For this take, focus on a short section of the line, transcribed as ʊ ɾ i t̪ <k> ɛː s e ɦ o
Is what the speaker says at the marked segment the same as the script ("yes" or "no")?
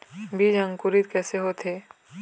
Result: yes